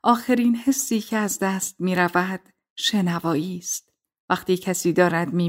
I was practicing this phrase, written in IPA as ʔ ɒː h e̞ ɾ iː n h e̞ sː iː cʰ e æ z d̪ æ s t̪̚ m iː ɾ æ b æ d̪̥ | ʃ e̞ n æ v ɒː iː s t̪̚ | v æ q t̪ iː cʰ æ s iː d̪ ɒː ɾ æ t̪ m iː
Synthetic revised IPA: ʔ ɒː x e̞ ɾ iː n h e̞ sː iː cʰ e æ z d̪ æ s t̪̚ m iː ɾ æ v æ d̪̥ | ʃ e̞ n æ v ɒː iː s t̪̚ | v æ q t̪ iː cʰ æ s iː d̪ ɒː ɾ æ d̪ m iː